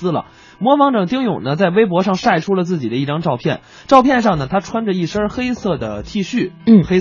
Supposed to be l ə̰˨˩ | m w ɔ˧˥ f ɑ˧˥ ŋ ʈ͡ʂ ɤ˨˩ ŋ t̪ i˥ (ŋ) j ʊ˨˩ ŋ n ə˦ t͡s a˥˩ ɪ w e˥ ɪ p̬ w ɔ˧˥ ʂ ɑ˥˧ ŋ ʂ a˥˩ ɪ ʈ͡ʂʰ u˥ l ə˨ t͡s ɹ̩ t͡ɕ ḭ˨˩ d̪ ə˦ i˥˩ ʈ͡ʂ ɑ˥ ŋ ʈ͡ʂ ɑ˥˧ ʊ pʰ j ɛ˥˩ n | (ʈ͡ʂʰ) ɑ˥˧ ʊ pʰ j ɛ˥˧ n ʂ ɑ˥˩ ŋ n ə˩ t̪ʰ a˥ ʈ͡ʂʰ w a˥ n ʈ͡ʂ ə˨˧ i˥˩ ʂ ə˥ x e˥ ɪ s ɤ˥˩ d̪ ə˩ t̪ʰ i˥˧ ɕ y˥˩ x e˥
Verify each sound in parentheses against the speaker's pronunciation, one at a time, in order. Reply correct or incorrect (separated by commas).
correct, incorrect